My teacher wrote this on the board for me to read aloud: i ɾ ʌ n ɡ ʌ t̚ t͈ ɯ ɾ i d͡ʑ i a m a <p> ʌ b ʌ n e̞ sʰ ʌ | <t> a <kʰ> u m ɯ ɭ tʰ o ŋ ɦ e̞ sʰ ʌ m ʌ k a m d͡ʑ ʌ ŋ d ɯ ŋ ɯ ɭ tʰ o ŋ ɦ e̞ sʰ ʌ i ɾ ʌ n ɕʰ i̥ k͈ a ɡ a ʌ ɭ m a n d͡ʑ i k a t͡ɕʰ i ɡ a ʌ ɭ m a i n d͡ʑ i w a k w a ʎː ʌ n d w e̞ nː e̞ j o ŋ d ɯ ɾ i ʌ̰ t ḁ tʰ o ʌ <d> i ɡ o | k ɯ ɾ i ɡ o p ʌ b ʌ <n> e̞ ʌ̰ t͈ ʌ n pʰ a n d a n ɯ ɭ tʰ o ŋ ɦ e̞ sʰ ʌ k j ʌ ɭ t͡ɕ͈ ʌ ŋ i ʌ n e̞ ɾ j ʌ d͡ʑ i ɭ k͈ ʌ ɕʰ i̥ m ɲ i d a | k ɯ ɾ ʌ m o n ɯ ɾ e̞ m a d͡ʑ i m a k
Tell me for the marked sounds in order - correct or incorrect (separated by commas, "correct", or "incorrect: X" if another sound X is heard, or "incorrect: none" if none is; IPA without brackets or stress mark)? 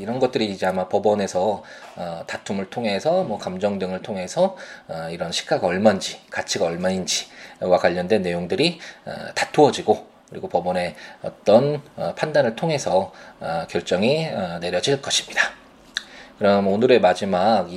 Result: correct, correct, incorrect: tʰ, incorrect: d͡ʑ, correct